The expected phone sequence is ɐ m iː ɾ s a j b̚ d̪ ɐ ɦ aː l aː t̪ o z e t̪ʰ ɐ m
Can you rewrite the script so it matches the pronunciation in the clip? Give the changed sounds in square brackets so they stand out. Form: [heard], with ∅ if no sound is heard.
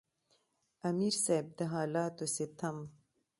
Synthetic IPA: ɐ m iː ɾ s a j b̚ d̪ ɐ ɦ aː l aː t̪ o [s] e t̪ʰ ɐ m

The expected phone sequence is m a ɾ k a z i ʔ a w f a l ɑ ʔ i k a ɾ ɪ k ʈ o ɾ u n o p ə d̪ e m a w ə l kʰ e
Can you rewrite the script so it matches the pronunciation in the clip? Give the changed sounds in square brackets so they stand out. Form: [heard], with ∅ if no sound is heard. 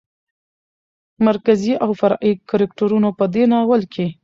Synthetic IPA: m a ɾ k a z i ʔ a w f a [ɾ] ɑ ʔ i k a ɾ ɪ k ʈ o ɾ u n o p ə d̪ e [n] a w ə l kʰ e

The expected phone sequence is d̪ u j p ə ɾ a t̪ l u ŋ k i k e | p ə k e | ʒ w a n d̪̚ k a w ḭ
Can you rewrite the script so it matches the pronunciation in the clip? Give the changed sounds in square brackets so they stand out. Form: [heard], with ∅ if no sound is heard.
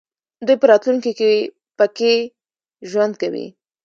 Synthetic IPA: d̪ u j p ə ɾ [ɑ] t̪ l u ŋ k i k e | p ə k e | ʒ w a n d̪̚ k a w ḭ

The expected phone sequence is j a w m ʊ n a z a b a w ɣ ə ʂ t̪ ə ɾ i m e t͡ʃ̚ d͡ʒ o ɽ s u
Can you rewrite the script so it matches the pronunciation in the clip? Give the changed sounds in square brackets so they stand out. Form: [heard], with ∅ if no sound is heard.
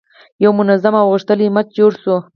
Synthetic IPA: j a w m ʊ n a z a [m] a w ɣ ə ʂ t̪ ə [l] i m [a] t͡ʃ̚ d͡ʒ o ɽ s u

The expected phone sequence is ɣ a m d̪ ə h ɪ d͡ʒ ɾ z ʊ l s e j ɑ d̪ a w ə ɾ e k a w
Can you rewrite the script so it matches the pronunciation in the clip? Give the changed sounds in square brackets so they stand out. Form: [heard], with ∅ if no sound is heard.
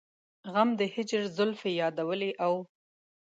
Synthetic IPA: ɣ a m d̪ ə h ɪ d͡ʒ ɾ z ʊ l [f] e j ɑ d̪ a w ə [l] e [ʔ] a w

